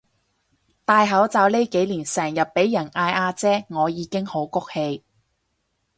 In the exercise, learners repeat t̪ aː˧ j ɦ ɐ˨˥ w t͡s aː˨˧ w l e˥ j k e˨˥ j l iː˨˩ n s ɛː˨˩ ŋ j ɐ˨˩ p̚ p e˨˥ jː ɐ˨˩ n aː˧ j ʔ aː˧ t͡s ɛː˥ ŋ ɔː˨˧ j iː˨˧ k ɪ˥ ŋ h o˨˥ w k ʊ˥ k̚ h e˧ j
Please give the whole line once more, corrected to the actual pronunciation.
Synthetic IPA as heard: t̪ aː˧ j ɦ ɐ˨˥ w t͡s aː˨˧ w l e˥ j k e˨˥ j l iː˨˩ n s ɛː˨˩ ŋ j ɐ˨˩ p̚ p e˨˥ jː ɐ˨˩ n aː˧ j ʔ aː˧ t͡s ɛː˥ ŋ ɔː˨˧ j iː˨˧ k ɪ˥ ŋ h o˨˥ w k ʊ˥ k̚ h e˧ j